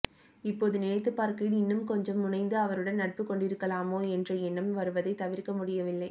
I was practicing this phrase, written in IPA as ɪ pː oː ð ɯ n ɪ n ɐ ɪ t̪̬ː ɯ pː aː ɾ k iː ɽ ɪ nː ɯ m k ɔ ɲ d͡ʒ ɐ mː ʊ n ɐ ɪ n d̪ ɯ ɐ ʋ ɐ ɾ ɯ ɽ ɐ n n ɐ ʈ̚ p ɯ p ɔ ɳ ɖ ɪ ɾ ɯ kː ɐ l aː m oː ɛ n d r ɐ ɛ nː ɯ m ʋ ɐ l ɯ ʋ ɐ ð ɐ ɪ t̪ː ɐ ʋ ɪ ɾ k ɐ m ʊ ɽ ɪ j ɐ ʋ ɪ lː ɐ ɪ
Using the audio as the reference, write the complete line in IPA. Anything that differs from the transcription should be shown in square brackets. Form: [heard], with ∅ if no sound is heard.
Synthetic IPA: ɪ pː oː ð ɯ n ɪ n ɐ ɪ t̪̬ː ɯ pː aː ɾ k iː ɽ ɪ nː ɯ m k ɔ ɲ d͡ʒ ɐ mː ʊ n ɐ ɪ n d̪ ɯ ɐ ʋ ɐ ɾ ɯ ɽ ɐ n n ɐ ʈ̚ p ɯ [k] ɔ ɳ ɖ ɪ ɾ ɯ kː ɐ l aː m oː ɛ n d r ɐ ɛ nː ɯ m ʋ ɐ [ɾ] ɯ ʋ ɐ ð ɐ ɪ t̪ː ɐ ʋ ɪ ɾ k ɐ m ʊ ɽ ɪ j ɐ ʋ ɪ lː ɐ ɪ